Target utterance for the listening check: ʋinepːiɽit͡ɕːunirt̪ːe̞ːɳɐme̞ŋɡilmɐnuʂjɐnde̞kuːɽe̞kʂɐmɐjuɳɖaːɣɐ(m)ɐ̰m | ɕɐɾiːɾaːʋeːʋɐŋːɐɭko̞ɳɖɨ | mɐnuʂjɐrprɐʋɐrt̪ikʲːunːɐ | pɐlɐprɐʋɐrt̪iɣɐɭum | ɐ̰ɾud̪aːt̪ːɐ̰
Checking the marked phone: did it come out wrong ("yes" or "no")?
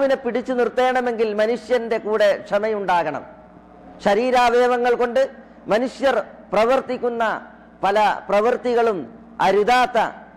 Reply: yes